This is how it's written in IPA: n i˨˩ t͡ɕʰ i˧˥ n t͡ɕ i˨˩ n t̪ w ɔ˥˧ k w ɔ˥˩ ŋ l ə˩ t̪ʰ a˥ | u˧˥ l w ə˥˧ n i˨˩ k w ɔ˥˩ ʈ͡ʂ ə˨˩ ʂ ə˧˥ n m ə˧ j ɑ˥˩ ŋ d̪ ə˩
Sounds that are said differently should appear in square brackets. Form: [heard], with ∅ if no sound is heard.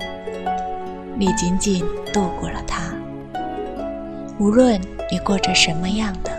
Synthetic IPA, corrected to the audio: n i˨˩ [t͡ɕ] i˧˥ n t͡ɕ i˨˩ n t̪ w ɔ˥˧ k w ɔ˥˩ [∅] l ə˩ t̪ʰ a˥ | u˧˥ l w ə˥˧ n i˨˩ k w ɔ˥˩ ʈ͡ʂ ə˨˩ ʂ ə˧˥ n m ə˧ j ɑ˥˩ ŋ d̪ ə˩